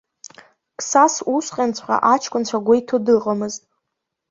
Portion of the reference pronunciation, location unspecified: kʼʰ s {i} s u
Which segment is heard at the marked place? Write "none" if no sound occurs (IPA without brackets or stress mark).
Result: a